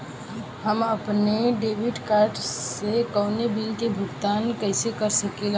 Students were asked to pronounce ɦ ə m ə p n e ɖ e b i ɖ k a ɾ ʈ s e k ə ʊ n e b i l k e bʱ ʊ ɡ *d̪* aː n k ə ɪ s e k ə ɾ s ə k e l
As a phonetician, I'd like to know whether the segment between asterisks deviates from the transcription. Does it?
yes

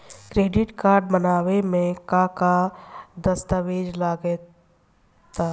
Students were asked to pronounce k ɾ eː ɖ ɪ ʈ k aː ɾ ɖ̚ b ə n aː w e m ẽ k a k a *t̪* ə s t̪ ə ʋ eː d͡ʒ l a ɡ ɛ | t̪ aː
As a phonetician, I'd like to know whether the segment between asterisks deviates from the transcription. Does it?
yes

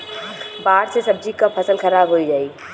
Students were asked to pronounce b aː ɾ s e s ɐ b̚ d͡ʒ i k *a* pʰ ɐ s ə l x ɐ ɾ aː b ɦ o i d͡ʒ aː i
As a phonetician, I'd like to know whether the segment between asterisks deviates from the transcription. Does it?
no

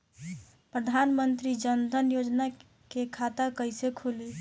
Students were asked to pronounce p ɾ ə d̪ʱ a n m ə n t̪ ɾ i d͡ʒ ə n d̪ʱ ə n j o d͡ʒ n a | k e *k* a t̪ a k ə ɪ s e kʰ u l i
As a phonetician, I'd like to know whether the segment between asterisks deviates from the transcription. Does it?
yes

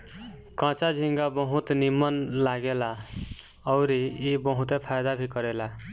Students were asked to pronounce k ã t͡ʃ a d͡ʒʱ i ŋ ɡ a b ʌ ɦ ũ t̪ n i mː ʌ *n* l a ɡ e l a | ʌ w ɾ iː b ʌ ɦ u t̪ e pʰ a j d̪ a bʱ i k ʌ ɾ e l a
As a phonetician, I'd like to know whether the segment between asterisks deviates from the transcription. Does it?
no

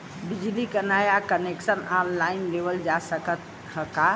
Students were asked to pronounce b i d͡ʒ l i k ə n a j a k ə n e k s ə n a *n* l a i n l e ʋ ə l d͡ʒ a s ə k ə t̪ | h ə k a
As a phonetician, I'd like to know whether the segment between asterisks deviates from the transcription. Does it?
no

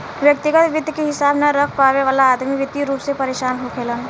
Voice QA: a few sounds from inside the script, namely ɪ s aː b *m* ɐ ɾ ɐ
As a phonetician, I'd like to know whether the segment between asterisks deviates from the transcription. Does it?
yes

